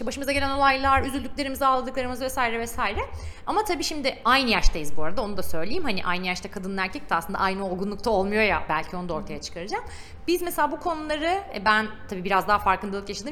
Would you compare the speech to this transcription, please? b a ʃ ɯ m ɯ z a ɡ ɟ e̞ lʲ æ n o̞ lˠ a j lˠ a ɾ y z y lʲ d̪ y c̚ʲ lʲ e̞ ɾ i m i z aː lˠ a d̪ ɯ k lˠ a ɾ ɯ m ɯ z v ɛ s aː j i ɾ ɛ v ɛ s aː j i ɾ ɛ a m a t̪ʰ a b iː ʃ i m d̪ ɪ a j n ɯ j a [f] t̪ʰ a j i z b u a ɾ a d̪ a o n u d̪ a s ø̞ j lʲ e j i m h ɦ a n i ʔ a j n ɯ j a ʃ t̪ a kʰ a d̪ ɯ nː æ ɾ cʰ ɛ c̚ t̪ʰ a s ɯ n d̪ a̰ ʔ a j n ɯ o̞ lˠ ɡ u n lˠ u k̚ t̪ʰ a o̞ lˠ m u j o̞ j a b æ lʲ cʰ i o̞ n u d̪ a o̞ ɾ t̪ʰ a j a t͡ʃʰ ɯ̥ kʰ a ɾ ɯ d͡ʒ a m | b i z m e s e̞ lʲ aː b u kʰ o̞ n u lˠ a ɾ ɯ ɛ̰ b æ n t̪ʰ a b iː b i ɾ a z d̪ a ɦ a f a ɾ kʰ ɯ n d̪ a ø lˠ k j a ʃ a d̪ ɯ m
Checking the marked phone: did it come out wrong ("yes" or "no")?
yes